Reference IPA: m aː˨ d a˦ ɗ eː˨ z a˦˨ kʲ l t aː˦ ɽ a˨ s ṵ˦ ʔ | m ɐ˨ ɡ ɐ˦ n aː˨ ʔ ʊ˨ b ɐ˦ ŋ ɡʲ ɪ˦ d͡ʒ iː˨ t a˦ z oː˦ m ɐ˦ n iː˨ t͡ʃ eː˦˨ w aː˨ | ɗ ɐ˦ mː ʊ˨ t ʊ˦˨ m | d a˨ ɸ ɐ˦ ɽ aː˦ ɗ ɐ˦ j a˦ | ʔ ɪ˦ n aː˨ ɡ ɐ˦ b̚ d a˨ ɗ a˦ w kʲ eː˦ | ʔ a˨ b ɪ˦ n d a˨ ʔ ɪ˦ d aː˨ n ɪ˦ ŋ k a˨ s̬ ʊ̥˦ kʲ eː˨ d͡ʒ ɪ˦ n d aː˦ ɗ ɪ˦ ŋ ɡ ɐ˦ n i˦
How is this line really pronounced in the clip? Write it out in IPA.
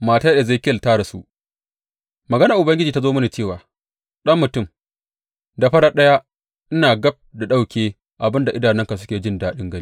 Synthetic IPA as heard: m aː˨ t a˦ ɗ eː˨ z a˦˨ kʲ l t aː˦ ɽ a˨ s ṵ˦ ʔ | m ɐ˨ ɡ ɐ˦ n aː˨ ʔ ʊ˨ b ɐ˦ ŋ ɡʲ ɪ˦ d͡ʒ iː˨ t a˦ z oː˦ m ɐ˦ n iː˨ t͡ʃ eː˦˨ w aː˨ | ɗ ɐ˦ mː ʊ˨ t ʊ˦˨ m | d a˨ ɸ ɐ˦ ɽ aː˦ ɗ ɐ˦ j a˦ | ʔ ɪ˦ n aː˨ ɡ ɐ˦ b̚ d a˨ ɗ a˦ w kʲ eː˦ | ʔ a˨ b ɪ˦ n d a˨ ʔ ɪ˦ d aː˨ n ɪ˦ ŋ k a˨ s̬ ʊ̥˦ kʲ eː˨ d͡ʒ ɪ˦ n d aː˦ ɗ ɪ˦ ŋ ɡ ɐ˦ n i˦